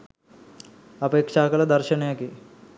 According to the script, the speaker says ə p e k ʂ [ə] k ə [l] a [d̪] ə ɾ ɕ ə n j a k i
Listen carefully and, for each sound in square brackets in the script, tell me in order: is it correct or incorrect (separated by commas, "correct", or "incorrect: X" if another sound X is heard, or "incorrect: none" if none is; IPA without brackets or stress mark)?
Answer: incorrect: a, correct, correct